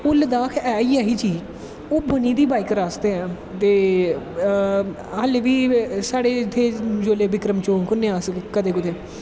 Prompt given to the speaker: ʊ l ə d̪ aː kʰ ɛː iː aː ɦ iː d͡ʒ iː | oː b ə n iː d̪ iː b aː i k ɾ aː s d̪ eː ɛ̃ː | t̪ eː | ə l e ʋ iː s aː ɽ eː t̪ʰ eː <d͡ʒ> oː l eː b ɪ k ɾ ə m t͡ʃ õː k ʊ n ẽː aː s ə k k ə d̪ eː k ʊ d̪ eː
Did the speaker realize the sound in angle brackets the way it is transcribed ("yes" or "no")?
yes